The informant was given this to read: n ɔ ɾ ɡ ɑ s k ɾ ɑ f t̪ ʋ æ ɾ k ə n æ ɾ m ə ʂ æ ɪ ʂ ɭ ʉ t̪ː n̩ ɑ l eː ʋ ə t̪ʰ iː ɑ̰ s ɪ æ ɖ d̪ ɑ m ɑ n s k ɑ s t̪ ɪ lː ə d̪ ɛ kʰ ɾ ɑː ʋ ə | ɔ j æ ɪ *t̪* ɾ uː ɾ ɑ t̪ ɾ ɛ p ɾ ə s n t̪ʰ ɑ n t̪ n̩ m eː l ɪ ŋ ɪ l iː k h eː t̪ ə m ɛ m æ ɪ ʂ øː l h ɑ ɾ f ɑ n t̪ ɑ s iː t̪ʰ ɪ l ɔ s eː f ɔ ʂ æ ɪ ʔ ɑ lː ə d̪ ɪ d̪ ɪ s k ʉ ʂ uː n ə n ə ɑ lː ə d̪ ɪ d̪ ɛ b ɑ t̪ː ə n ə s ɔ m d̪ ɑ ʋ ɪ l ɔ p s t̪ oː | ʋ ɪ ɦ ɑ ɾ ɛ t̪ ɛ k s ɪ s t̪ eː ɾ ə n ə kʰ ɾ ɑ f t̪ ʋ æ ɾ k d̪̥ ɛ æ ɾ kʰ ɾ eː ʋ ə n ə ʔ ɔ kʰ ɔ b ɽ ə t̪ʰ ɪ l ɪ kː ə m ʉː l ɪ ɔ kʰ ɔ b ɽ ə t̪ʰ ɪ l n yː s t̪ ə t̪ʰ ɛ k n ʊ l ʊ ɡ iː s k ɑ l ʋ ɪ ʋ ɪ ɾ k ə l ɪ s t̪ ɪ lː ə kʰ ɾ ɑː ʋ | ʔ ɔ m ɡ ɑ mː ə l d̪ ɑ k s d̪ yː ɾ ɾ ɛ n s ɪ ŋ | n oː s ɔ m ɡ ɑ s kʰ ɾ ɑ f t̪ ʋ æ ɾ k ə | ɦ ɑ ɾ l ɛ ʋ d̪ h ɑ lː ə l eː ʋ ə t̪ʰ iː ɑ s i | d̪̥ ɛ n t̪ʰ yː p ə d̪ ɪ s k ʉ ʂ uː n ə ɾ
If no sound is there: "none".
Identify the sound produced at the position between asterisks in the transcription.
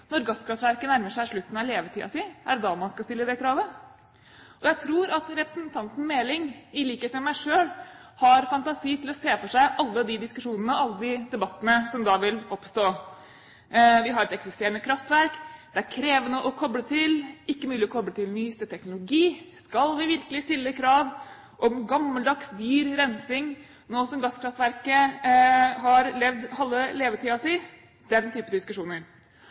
t̪ʰ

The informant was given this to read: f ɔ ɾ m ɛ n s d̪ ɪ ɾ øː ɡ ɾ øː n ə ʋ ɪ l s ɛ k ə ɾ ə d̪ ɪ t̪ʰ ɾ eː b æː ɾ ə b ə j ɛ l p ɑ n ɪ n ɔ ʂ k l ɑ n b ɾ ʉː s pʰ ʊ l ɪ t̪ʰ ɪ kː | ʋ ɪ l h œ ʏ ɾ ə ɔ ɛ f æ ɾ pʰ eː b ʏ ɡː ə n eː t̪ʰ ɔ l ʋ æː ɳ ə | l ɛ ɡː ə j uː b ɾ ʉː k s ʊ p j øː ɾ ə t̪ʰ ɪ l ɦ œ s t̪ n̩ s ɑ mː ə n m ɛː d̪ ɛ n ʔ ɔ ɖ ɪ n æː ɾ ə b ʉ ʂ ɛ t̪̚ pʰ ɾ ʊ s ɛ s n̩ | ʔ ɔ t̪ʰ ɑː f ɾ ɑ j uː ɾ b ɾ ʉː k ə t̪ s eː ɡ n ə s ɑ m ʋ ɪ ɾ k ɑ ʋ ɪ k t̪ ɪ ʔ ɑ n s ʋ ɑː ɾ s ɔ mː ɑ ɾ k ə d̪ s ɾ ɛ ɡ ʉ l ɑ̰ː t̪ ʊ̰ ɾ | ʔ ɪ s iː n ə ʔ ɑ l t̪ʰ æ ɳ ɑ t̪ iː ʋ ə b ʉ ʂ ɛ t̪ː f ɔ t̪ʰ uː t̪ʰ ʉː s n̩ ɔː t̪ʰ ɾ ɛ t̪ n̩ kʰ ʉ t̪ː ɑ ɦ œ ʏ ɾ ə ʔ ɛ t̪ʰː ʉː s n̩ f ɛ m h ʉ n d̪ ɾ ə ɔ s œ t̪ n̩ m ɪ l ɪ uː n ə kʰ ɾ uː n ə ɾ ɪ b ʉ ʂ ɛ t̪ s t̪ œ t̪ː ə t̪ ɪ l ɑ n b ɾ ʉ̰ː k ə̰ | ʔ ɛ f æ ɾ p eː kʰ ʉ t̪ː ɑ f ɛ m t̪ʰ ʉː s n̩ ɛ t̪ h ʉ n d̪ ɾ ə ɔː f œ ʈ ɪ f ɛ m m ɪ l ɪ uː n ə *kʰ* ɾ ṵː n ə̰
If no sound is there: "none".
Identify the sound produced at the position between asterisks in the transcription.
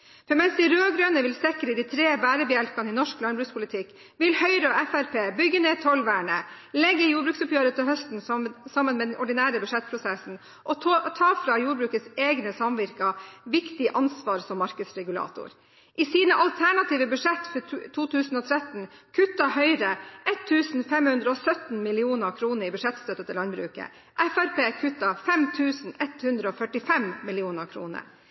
kʰ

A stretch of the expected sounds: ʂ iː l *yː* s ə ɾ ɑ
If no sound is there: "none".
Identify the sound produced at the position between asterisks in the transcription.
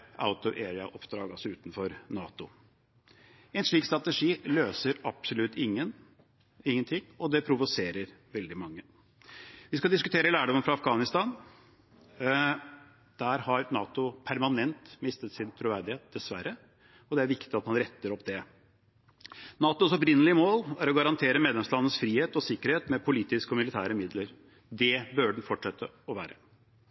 øː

